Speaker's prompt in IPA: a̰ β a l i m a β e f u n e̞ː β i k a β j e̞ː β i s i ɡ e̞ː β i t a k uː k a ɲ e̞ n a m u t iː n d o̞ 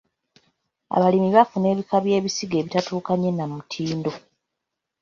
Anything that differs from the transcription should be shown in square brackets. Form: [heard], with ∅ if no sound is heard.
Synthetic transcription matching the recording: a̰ β a l i m [i] β [a] f u n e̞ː β i k a β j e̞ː β i s i ɡ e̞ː β i t a [t] uː k a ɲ e̞ n a m u [tʰ] iː n d o̞